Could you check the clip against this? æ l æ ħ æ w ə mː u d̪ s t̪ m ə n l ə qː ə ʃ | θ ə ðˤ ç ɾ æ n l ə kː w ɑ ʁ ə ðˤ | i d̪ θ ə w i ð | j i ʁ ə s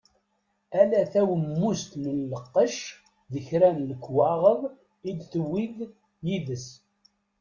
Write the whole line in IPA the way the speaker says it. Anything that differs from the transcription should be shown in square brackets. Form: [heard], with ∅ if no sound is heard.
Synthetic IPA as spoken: æ l æ [θ] æ w ə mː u [∅] s t̪ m ə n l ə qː ə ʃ | [ð] ə [∅] ç ɾ æ n l ə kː w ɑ ʁ ə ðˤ | i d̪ θ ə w i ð | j i [ð] ə s